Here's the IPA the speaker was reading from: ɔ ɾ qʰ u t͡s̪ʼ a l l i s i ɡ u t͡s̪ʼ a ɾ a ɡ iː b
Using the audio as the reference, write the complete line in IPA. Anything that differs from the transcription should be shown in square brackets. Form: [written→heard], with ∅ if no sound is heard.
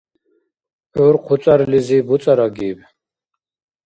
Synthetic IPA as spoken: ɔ ɾ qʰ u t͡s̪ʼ a [l→ɾ] l i [s→z] i [ɡ→b] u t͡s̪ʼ a ɾ a ɡ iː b

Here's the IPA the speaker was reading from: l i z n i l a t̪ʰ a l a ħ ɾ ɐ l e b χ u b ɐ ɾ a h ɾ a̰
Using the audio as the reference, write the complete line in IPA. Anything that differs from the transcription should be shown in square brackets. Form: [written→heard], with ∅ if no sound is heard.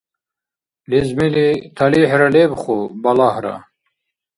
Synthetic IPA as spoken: l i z [n→m] i l [a→i] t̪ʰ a l [a→i] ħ ɾ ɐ l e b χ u b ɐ [ɾ→l] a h ɾ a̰

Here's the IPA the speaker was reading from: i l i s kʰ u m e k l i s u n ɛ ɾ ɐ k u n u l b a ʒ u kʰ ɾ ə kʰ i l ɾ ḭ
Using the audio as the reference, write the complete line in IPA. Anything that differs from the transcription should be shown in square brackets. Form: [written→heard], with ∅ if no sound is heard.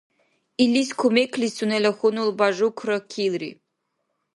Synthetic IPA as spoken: i l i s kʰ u m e k l i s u n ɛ [ɾ→l] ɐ [k→x] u n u l b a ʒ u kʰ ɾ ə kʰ i l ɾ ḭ

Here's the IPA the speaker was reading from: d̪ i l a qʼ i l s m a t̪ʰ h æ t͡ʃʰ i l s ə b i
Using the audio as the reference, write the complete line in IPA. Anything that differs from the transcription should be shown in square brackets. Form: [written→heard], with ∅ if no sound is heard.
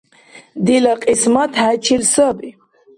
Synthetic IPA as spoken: d̪ i l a qʼ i [l→∅] s m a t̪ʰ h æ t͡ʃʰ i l s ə b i

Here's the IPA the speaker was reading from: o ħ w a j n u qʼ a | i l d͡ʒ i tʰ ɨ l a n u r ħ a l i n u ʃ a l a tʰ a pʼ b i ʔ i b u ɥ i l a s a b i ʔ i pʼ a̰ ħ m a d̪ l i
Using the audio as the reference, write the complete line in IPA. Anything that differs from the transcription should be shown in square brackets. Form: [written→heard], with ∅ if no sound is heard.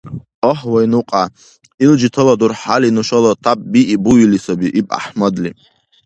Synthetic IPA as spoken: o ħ w a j n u qʼ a | i l d͡ʒ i tʰ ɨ l a [n→d] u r ħ a l i n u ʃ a l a tʰ a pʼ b i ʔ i b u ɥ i l [a→i] s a b i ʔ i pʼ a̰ ħ m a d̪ l i

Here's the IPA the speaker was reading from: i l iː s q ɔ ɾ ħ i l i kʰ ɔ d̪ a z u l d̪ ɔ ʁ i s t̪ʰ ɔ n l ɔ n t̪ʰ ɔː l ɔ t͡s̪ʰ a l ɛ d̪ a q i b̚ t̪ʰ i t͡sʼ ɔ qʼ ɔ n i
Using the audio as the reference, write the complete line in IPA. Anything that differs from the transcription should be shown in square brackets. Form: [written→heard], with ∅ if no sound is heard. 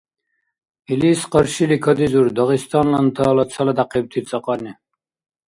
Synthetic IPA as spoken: i l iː s q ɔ ɾ [ħ→ʃ] i l i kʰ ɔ d̪ [a→i] z u [l→ɾ] d̪ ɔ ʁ i s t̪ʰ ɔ n l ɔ n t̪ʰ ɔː l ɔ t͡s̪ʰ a l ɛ d̪ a q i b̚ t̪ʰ i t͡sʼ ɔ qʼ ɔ n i

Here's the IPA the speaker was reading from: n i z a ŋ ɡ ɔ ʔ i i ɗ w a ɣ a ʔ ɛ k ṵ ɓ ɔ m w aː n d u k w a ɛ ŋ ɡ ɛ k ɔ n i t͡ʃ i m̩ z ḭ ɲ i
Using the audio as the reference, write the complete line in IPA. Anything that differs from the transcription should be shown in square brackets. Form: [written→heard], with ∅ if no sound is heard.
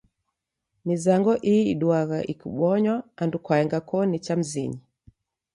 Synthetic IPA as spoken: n i z a ŋ ɡ ɔ ʔ i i ɗ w a ɣ a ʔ [ɛ→i] k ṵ ɓ ɔ [m→ɲ] w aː n d u k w a ɛ ŋ ɡ [ɛ→a] k ɔ n i t͡ʃ [i→a] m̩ z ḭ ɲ i

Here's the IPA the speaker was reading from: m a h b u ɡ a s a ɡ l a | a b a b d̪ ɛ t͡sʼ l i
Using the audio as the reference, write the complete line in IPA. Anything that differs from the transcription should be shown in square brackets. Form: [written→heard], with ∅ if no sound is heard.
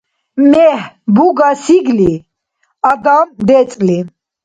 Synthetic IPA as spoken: m [a→ɛ] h b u ɡ a s [a→i] ɡ l [a→i] | a [b→ɡ] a [b→m] d̪ ɛ t͡sʼ l i

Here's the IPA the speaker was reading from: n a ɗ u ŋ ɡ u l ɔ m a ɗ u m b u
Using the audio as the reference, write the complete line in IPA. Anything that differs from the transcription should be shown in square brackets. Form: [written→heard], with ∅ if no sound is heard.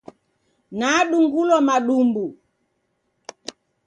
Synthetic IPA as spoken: n a ɗ u ŋ ɡ u l ɔ m a ɗ u m b u

